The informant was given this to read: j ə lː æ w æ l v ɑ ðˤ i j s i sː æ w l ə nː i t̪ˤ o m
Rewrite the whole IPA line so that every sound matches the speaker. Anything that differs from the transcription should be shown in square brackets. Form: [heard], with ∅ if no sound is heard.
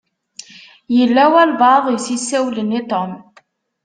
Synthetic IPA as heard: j ə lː æ w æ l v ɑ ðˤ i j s i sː æ w l ə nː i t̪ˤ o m